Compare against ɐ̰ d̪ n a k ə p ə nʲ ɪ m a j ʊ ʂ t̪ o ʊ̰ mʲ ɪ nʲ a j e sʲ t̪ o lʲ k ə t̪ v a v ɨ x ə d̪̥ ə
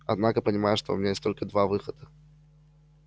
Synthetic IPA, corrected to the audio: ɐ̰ d̪ n a k ə p ə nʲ ɪ m a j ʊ ʂ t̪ o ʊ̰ mʲ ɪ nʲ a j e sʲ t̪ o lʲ k ə d̪ v a v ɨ x ə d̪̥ ə